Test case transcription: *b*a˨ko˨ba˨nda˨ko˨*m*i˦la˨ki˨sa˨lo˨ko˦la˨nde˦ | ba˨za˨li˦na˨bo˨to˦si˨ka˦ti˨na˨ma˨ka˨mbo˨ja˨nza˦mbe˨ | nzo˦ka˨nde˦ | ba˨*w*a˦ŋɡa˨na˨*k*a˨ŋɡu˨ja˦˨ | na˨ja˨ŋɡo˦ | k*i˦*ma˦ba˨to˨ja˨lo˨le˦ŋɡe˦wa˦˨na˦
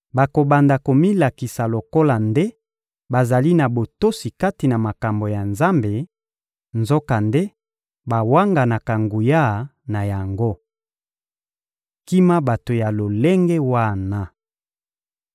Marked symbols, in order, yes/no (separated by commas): yes, yes, yes, yes, yes